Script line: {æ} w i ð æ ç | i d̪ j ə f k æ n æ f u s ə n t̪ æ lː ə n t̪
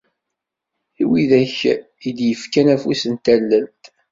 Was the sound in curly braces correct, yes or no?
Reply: no